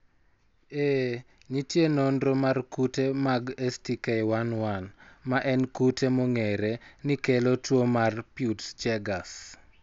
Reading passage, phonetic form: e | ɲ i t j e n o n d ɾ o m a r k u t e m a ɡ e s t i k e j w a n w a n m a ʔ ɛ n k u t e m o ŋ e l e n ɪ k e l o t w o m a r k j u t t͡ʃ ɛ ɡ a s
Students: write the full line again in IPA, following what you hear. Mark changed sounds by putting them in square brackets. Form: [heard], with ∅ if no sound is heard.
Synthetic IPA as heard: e | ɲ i t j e n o n d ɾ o m a r k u t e m a ɡ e s t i k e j w a n w a n m a ʔ ɛ n k u t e m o ŋ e [ɾ] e n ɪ k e l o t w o m a r [p] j u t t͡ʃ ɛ ɡ a s